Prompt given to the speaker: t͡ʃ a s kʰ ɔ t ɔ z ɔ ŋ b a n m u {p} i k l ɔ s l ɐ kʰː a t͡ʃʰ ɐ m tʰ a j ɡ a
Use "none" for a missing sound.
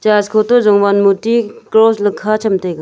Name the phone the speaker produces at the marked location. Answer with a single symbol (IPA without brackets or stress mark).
t